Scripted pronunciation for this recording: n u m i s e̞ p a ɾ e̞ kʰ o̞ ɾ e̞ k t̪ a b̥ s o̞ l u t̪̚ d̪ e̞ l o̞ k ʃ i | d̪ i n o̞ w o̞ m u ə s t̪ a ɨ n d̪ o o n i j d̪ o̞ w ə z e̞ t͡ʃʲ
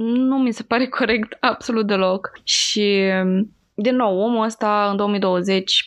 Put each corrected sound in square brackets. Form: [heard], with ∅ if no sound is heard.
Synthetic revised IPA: n u m i s e̞ p a ɾ e̞ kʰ o̞ ɾ e̞ k t̪ a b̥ s o̞ l u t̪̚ d̪ e̞ l o̞ k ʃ i | d̪ i [nː] o̞ w o̞ m u ə s t̪ a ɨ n d̪ o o [m] i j d̪ o̞ w ə z e̞ t͡ʃʲ